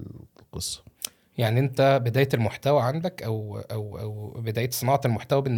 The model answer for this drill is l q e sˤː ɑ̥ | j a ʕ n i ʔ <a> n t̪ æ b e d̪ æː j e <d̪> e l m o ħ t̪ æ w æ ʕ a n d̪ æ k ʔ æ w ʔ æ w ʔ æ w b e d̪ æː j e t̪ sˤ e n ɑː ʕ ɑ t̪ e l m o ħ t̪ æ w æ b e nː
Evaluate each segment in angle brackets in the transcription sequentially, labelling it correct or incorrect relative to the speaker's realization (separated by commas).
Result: incorrect, incorrect